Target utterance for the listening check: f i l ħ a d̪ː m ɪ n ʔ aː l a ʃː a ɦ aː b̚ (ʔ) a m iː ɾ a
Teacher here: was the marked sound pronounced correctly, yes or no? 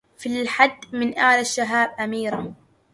yes